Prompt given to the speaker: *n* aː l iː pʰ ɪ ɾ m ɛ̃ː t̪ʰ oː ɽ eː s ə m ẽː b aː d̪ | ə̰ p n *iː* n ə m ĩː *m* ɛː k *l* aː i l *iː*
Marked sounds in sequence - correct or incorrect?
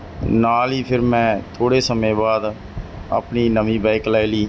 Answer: correct, correct, incorrect, correct, correct

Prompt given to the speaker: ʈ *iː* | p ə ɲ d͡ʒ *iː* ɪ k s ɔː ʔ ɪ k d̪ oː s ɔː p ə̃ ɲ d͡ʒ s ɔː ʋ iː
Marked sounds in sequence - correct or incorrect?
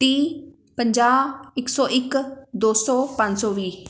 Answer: correct, incorrect

